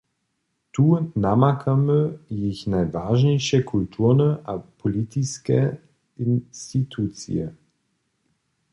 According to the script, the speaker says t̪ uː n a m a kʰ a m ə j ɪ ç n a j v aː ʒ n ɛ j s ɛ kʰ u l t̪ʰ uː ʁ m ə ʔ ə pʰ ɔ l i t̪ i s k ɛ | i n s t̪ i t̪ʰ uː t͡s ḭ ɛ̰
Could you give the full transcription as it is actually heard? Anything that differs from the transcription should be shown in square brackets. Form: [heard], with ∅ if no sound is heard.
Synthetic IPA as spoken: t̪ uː n a m a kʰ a m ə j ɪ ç n a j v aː ʒ n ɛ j [ʃ] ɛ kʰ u l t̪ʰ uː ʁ [n] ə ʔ [a] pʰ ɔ l i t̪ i s k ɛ | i n s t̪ i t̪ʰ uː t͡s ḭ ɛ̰